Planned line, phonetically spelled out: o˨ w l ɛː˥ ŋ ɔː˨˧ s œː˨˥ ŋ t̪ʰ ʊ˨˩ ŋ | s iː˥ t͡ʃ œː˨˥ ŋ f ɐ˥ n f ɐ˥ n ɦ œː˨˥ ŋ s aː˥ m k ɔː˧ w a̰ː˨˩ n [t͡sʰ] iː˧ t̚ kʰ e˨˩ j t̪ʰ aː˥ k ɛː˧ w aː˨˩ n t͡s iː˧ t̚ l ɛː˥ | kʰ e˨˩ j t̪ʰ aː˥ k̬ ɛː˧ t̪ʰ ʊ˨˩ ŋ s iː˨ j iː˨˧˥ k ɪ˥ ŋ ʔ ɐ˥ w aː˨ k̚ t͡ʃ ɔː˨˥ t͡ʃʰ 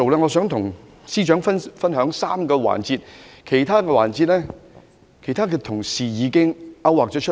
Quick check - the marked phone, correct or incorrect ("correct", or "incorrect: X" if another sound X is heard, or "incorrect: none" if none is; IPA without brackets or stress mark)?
incorrect: t͡s